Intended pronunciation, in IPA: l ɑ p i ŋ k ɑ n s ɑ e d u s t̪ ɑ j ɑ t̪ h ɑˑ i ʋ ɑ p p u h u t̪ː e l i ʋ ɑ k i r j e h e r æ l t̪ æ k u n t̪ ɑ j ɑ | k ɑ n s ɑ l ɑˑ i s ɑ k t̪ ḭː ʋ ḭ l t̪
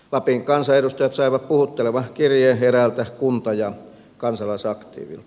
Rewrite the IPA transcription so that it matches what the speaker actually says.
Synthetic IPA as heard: l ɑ p i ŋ k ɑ n s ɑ e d u s t̪ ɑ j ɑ t̪ s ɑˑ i ʋ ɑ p p u h u t̪ː e l e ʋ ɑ k i r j e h e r æ l t̪ æ k u n t̪ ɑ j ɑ | k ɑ n s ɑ l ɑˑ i s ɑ k t̪ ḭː ʋ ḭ l t̪